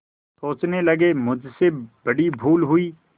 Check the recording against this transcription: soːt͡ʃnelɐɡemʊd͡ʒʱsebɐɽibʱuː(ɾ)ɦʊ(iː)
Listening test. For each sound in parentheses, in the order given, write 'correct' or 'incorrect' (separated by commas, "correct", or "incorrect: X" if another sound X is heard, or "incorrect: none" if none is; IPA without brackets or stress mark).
incorrect: l, correct